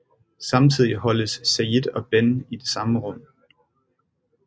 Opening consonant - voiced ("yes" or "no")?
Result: no